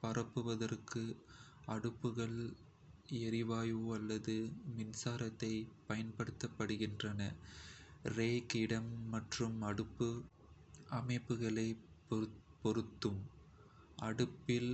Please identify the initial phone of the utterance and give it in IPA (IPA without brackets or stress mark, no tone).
p